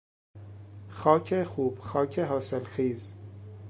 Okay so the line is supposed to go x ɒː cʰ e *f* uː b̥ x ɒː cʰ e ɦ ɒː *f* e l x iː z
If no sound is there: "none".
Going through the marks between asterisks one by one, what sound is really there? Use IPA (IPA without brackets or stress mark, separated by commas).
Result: x, s